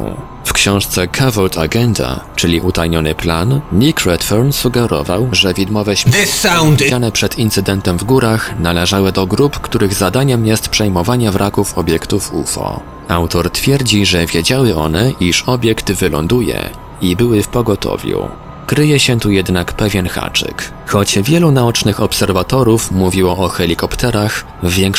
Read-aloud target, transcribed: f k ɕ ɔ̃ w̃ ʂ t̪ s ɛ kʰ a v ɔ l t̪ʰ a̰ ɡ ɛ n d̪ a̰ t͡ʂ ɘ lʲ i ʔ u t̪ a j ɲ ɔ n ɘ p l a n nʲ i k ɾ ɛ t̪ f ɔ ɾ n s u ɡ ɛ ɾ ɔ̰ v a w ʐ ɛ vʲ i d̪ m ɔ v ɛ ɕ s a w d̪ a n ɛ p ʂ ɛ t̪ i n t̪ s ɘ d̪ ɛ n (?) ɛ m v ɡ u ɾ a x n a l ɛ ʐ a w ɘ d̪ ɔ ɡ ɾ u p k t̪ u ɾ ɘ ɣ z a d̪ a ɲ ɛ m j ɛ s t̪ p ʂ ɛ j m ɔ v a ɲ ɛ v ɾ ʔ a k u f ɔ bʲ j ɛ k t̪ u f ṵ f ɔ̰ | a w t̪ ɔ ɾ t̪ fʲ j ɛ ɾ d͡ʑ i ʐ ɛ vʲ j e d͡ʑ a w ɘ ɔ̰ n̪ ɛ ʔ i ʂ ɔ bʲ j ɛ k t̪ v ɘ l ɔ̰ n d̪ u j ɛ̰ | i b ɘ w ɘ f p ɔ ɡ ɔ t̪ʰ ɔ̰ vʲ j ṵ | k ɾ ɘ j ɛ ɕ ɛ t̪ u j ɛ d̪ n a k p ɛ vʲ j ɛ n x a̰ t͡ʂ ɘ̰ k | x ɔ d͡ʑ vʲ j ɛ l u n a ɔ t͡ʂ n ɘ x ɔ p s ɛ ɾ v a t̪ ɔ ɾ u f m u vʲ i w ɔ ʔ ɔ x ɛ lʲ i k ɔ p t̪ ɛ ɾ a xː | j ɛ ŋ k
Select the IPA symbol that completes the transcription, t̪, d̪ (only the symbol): t̪